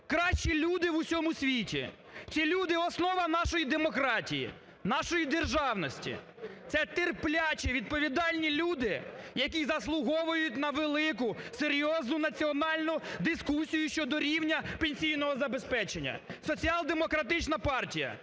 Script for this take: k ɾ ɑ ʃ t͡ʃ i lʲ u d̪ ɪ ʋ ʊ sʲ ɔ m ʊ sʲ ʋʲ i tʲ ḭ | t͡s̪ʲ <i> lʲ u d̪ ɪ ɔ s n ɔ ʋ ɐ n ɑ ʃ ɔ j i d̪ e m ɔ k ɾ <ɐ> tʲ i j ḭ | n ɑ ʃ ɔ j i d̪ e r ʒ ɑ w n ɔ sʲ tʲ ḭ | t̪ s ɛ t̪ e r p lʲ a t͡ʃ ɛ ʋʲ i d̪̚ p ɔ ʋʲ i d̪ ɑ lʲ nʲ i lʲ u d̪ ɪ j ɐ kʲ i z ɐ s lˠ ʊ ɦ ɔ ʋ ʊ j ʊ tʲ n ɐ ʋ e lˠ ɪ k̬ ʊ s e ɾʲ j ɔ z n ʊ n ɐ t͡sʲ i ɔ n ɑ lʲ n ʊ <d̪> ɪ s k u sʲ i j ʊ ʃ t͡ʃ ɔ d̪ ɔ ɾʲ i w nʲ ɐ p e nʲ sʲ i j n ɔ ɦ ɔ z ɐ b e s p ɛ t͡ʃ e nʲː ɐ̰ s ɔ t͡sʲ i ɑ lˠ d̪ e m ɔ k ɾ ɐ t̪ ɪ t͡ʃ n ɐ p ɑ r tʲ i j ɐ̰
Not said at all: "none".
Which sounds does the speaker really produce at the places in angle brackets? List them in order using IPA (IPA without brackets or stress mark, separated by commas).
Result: i, ɑ, d̪